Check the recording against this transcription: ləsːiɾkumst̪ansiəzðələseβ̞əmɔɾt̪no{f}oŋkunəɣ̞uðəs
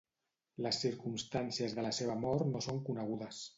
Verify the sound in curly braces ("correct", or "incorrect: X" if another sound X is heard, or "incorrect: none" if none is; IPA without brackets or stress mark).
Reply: incorrect: s